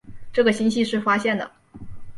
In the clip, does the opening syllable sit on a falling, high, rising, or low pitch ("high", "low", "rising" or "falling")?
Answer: falling